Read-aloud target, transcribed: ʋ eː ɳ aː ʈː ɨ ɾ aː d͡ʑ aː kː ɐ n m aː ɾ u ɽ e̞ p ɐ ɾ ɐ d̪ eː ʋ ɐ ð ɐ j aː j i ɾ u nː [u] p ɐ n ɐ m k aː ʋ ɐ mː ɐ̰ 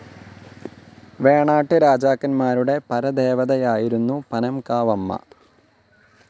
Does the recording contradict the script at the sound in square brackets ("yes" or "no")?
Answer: no